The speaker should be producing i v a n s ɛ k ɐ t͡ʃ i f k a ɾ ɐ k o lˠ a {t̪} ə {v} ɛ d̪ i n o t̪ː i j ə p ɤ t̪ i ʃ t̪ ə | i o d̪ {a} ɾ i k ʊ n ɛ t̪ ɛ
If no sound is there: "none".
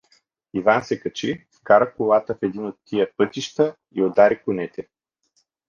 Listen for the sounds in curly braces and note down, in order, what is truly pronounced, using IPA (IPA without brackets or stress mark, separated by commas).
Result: t̪, f, a